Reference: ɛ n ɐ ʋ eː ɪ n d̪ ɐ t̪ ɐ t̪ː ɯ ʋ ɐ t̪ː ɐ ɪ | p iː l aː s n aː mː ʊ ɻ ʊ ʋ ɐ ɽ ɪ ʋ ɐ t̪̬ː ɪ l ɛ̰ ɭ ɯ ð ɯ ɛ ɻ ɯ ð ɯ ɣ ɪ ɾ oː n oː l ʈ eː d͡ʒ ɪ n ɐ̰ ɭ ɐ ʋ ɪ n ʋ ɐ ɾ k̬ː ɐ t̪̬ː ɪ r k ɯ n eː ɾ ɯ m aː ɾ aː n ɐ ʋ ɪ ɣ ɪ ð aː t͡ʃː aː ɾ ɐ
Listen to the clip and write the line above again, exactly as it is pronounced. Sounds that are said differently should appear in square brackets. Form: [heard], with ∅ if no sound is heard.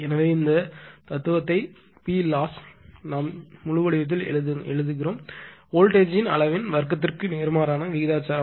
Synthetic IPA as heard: ɛ n ɐ ʋ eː ɪ n d̪ ɐ t̪ ɐ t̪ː ɯ ʋ ɐ t̪ː ɐ ɪ | p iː l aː s n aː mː ʊ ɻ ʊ ʋ ɐ ɽ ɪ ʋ ɐ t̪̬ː ɪ l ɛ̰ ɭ ɯ ð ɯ ɛ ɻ ɯ ð ɯ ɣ ɪ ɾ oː [m] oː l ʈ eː d͡ʒ ɪ n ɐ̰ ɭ ɐ ʋ ɪ n ʋ ɐ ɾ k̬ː ɐ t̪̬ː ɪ r k ɯ n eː ɾ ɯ m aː ɾ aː n ɐ ʋ ɪ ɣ ɪ ð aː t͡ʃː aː ɾ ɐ